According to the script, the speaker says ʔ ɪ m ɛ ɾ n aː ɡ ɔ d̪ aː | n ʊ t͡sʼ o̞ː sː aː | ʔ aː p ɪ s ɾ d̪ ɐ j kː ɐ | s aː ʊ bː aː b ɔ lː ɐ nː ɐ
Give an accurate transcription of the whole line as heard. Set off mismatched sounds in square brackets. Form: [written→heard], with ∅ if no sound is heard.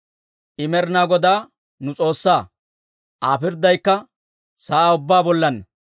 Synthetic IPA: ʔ ɪ m ɛ ɾ n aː ɡ ɔ d̪ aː | n ʊ t͡sʼ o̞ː sː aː | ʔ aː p ɪ [s→∅] ɾ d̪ ɐ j kː ɐ | s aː ʊ bː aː b ɔ lː ɐ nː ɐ